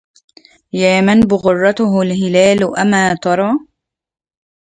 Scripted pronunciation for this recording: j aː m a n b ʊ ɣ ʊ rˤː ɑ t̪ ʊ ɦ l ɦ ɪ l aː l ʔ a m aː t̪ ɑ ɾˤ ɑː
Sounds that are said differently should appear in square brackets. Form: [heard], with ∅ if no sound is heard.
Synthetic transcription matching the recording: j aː m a n b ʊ ɣ ʊ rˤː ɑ t̪ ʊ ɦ l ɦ ɪ l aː l ʔ a m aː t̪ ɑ ɾˤ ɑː